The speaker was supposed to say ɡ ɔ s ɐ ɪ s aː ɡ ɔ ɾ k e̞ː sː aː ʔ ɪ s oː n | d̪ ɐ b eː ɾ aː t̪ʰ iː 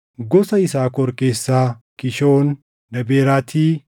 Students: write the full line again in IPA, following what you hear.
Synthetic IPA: ɡ ɔ s ɐ ɪ s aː k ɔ ɾ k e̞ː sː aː k ɪ ʃ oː n | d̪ ɐ b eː ɾ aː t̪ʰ iː